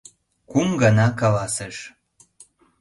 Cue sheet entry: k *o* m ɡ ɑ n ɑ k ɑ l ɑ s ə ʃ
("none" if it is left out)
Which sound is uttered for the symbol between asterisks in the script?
u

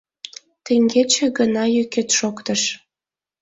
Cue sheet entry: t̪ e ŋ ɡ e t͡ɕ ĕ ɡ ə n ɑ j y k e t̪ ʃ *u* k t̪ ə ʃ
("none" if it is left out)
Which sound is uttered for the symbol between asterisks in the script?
o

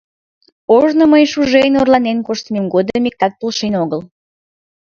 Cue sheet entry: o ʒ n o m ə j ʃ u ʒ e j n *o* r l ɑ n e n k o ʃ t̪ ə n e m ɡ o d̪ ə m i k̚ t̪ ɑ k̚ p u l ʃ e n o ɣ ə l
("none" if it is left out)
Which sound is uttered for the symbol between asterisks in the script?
o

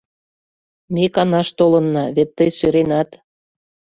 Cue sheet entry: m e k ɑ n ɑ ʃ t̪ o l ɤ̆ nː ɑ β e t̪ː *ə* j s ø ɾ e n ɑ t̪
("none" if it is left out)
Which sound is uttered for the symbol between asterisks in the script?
ə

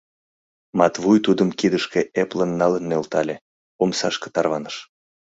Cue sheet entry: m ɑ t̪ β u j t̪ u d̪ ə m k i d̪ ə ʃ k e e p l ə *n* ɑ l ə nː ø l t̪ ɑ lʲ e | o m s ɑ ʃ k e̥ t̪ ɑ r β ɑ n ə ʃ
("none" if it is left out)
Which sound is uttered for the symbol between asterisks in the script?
nː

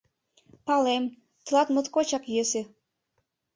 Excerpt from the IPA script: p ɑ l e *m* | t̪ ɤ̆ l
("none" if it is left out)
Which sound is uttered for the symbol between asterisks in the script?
m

